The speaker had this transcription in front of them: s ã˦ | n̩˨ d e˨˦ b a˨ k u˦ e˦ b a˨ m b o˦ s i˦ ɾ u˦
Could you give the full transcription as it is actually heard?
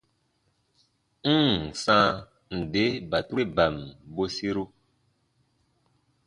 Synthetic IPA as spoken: s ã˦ | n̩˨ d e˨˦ b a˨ t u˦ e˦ b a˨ m b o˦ s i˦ ɾ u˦